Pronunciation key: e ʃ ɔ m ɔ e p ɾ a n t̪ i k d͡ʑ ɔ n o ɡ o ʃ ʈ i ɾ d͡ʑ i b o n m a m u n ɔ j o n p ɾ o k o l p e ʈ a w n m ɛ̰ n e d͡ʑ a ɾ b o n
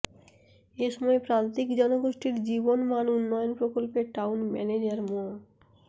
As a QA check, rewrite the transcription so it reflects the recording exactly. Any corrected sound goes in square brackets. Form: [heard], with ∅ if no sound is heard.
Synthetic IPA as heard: e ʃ ɔ m ɔ e p ɾ a n t̪ i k d͡ʑ ɔ n o ɡ o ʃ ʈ i ɾ d͡ʑ i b o n m a [n] u [nː] ɔ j o n p ɾ o k o l p e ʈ a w n m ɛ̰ n e d͡ʑ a ɾ [m] o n